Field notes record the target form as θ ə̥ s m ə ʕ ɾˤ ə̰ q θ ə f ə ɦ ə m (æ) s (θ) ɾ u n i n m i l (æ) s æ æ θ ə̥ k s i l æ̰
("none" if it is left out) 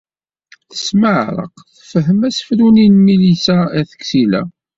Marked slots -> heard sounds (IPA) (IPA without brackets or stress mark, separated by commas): æ, f, i